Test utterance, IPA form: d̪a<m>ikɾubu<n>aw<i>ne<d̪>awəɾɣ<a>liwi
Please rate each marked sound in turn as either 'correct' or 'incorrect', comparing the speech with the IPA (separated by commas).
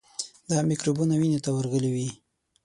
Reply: correct, correct, correct, incorrect, incorrect